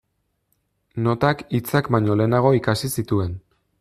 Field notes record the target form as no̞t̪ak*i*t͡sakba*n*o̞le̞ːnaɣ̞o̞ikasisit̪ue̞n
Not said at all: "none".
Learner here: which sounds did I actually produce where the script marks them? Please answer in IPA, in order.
i, ɲ

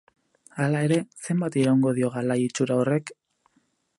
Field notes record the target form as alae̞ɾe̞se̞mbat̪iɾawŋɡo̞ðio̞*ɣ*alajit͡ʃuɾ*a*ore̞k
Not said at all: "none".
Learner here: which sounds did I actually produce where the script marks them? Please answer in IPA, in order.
ɣ, a

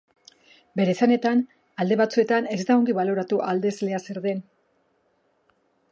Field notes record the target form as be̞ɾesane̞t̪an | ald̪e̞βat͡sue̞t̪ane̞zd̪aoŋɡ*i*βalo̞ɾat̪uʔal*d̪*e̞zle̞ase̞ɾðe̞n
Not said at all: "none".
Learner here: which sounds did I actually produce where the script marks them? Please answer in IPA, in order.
i, d̪

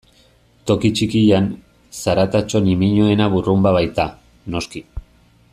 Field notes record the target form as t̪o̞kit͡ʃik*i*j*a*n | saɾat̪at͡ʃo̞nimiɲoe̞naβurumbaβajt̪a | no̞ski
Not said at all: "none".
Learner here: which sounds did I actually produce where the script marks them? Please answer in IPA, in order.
i, a

